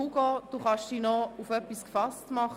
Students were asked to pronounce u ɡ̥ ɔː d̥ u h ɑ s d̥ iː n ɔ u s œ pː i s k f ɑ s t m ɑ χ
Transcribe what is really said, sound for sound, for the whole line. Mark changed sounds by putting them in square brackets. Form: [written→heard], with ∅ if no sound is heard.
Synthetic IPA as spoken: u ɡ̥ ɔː d̥ u [h→χ] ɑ [s→ʃ] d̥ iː n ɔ u [s→f] œ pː i s k f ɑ s t m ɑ χ